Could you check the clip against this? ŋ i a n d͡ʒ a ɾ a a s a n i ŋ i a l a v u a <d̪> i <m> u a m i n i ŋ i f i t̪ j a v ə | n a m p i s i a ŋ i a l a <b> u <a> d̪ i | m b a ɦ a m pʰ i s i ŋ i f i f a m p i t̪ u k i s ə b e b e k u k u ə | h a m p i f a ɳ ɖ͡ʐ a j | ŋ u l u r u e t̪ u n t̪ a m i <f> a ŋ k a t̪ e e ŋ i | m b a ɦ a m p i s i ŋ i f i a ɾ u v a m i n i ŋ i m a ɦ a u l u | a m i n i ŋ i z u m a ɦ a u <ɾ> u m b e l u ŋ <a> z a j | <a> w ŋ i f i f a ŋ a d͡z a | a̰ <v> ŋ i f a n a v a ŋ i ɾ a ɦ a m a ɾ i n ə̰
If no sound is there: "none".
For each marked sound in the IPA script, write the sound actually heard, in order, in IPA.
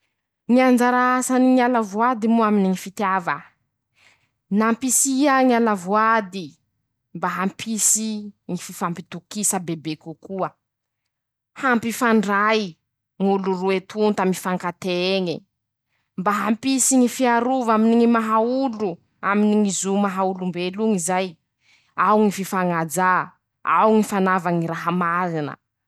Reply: d̪, m, v, a, f, l, i, a, w

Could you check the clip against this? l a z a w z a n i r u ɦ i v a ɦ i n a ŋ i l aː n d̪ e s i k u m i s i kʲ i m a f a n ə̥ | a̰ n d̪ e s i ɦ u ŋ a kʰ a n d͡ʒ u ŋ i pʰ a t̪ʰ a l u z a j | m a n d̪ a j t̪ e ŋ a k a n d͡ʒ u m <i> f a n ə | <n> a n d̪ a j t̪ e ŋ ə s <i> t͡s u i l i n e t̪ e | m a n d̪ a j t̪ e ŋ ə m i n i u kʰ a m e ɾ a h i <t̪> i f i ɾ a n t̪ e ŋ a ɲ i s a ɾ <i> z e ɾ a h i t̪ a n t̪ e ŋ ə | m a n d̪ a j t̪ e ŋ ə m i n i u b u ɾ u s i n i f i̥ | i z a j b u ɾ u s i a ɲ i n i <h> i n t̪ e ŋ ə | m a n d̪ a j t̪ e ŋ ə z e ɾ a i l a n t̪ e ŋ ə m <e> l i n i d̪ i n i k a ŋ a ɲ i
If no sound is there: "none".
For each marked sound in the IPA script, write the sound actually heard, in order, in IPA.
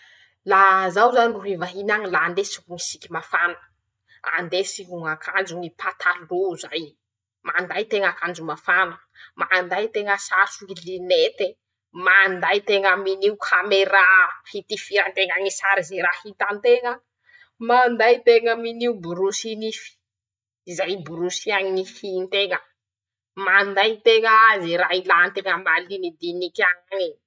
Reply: a, m, a, t̪, i, h, a

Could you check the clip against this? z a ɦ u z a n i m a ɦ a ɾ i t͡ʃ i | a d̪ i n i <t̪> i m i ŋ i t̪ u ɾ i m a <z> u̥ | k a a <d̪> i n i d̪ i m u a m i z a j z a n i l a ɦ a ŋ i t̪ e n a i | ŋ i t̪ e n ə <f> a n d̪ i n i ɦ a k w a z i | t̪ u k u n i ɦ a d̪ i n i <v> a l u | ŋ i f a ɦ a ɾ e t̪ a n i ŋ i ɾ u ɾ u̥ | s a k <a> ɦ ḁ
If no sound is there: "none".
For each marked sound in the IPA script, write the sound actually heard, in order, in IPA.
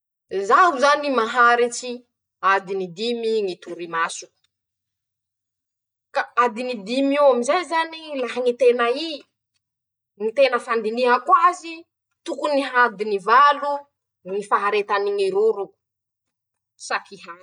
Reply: d̪, s, d̪, f, v, i

